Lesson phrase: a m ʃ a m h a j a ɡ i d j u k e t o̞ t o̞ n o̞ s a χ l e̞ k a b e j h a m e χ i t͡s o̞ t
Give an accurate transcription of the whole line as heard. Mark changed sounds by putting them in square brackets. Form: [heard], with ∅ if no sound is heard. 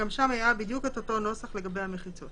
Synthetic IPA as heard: a m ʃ a m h a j a [b] i d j u k e t o̞ t o̞ n o̞ s a χ l e̞ [ɡ] a b e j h a m e χ i t͡s o̞ t